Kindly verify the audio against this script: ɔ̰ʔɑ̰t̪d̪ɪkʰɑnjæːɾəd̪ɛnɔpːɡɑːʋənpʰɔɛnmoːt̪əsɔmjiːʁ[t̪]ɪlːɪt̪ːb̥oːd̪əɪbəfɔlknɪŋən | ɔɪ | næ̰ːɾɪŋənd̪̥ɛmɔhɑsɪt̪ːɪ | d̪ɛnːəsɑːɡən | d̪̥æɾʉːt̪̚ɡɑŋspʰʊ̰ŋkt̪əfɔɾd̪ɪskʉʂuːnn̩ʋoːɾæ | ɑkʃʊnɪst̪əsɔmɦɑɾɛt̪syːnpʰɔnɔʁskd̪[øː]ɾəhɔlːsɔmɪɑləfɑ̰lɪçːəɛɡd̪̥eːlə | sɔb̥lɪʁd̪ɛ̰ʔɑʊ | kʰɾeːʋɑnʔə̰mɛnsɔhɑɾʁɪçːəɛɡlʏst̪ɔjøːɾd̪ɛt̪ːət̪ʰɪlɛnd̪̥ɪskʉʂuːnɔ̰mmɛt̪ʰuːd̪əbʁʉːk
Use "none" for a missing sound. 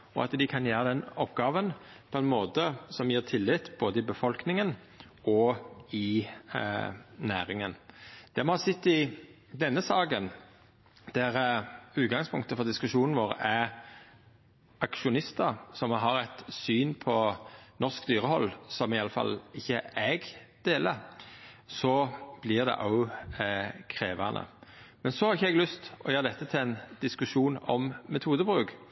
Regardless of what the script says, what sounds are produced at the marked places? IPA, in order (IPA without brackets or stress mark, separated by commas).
t̪ʰ, yː